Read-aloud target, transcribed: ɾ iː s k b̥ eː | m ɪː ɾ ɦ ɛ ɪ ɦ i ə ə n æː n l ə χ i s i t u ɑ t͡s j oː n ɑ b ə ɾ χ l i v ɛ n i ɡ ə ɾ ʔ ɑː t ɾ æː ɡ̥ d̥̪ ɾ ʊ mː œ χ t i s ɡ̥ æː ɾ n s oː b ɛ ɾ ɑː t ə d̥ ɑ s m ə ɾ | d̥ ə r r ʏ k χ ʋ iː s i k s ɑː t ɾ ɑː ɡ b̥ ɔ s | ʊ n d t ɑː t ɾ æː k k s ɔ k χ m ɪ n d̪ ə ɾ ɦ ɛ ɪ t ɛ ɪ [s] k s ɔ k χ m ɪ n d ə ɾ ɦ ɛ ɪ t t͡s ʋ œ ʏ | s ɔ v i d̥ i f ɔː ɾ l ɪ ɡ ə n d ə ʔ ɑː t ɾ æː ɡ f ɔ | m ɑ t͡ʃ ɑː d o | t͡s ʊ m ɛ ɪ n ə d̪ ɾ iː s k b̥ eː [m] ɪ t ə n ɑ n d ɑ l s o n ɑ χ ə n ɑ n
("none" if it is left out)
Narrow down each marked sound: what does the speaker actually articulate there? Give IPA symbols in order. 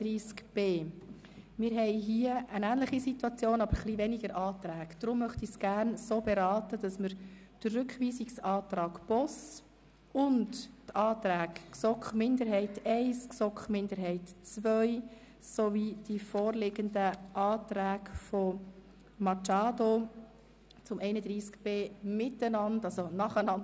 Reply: s, m

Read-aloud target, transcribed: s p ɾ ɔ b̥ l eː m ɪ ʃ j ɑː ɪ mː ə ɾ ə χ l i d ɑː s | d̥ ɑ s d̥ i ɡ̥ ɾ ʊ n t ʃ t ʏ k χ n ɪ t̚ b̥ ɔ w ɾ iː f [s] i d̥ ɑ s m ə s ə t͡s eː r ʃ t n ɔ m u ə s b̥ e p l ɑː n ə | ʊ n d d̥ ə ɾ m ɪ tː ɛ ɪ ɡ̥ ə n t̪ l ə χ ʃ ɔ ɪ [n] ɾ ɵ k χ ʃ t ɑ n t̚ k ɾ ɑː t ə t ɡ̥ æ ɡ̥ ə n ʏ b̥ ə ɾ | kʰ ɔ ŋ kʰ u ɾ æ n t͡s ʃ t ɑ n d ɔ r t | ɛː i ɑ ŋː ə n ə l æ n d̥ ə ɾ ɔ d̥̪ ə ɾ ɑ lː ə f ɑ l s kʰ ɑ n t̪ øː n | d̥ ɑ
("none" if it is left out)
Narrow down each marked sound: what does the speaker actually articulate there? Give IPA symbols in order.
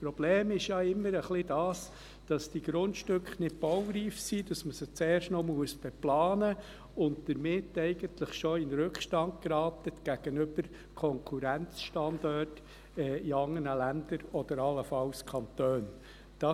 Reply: s, n

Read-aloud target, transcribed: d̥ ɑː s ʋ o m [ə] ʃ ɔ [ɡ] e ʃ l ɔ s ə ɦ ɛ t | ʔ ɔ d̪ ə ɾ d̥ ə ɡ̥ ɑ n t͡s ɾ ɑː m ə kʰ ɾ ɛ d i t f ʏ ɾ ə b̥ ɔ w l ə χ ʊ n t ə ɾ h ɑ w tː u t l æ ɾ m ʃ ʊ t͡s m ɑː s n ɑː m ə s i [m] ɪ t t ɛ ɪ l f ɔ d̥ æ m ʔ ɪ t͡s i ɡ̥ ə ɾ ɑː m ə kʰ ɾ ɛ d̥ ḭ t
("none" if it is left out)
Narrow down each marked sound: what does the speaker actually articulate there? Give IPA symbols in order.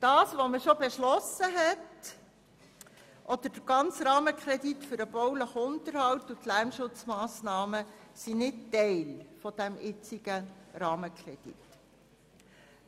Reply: ə, b, n

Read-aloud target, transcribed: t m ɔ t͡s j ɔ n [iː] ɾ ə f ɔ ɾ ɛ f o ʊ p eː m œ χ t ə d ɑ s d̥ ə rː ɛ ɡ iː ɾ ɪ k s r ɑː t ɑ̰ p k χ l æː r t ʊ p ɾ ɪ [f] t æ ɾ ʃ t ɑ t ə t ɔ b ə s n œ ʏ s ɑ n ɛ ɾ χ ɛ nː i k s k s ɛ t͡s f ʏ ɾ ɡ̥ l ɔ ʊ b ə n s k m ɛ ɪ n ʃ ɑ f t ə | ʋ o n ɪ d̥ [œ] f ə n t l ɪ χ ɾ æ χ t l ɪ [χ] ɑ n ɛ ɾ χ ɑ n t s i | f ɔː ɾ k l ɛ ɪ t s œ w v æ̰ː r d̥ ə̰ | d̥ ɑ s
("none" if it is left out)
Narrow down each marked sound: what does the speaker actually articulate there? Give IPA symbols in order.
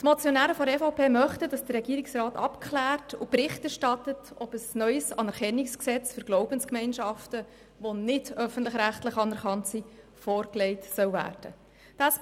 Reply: æː, χ, œ, χ

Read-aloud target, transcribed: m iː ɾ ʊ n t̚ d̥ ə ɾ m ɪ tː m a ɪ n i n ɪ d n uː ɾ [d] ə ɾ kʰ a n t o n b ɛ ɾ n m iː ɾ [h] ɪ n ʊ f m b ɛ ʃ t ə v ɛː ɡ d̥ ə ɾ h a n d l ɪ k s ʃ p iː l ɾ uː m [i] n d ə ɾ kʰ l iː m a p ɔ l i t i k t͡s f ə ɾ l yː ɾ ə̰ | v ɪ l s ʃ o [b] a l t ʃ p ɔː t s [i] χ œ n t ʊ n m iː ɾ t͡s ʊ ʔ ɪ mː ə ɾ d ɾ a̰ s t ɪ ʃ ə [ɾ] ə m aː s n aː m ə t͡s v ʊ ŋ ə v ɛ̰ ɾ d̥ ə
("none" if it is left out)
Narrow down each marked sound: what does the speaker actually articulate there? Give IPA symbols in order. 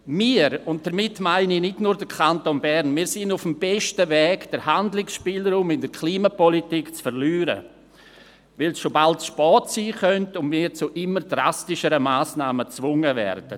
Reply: d, s, ɪ, b, iː, ɾ

